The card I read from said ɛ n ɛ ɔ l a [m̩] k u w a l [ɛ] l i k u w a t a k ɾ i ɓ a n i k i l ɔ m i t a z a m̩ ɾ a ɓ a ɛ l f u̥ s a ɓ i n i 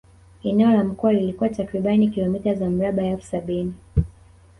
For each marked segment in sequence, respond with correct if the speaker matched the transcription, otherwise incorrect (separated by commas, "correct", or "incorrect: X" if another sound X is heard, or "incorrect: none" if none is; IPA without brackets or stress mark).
correct, incorrect: i